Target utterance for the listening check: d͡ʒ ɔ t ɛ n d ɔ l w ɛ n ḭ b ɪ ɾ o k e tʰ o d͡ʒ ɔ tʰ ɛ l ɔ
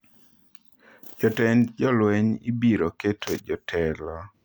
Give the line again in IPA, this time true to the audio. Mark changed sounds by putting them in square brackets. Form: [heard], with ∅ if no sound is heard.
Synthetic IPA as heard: d͡ʒ ɔ t ɛ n [d͡ʒ] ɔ l w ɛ [ɲ] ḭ b [i] ɾ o k e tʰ o d͡ʒ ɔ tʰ ɛ l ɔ